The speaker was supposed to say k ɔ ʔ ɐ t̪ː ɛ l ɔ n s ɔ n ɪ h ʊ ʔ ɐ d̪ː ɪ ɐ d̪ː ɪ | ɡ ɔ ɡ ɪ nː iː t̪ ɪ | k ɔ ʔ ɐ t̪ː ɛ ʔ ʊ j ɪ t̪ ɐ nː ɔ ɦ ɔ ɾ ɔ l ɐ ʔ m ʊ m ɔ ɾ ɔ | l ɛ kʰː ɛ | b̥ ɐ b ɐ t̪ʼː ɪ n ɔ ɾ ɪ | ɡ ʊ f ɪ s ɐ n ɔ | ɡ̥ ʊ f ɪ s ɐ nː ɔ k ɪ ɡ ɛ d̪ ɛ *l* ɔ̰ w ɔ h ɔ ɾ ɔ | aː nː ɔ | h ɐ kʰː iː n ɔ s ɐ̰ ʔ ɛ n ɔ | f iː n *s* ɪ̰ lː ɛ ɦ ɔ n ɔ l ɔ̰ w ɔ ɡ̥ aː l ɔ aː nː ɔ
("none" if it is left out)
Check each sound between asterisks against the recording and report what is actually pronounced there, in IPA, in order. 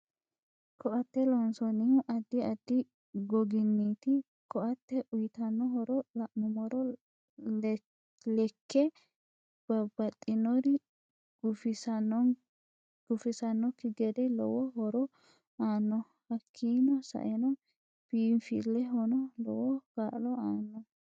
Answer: l, f

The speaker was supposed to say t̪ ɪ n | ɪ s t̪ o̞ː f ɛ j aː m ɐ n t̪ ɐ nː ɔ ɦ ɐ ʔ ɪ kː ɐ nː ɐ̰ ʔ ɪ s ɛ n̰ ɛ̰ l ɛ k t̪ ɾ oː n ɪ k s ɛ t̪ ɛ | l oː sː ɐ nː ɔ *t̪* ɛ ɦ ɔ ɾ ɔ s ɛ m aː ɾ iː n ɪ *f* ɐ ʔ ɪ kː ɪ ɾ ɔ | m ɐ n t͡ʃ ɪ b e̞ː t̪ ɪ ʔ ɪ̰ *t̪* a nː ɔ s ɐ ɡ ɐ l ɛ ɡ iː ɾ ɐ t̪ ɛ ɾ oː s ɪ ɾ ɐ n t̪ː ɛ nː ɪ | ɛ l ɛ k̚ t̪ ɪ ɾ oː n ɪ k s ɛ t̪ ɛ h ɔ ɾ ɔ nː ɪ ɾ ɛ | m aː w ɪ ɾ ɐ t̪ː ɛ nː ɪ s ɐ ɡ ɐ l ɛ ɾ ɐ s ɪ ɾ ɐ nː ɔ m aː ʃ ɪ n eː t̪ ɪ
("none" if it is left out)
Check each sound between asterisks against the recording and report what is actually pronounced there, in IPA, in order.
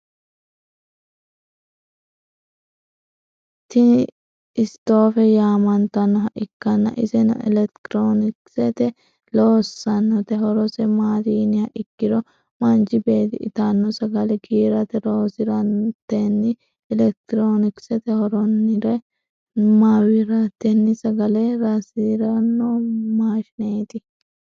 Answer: t̪, h, t̪

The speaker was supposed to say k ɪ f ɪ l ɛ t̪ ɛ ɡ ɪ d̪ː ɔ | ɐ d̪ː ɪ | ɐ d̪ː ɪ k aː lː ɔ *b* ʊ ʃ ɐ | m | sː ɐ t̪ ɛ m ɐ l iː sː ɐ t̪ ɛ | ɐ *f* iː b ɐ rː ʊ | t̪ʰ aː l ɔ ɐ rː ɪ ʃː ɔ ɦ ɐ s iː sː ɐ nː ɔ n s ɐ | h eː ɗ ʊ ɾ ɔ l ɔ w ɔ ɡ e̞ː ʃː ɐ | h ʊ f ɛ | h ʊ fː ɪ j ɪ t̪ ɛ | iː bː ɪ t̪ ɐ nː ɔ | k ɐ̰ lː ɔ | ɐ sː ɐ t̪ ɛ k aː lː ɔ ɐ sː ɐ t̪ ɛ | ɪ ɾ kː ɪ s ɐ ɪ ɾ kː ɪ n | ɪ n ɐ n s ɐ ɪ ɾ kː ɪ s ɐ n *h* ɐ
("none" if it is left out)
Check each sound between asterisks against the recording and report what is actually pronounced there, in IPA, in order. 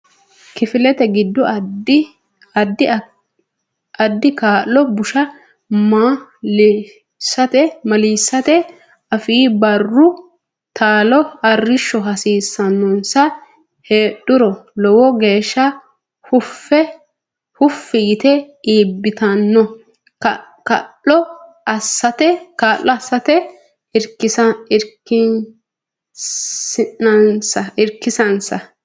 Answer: b, f, s

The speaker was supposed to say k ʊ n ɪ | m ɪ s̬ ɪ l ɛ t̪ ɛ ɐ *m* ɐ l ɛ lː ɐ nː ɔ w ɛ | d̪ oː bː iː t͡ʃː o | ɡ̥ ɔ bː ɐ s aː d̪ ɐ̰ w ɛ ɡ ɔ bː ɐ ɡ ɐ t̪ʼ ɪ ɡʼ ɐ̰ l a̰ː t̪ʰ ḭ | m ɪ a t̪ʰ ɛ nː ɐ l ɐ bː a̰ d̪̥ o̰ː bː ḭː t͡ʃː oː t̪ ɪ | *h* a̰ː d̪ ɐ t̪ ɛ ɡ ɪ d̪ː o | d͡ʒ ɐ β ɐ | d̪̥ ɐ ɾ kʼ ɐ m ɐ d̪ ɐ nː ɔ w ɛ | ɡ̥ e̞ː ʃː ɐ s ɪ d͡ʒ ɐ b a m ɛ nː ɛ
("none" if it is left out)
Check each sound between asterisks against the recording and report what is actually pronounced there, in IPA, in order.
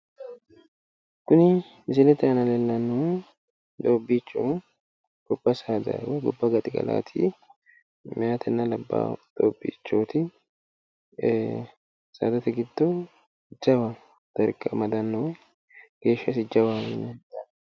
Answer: n, s

